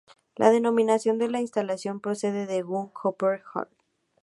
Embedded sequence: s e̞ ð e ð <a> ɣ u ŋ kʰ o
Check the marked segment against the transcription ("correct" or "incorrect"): incorrect